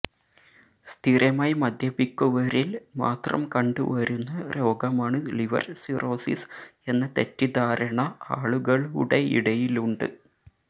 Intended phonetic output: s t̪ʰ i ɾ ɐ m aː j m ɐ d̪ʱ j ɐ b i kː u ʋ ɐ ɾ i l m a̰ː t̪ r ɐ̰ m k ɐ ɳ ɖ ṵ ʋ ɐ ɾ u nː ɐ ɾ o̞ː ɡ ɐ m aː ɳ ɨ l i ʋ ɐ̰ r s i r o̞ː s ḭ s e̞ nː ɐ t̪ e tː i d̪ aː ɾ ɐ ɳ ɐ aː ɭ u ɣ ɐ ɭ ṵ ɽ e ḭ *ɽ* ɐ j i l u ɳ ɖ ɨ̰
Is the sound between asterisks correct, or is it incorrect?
correct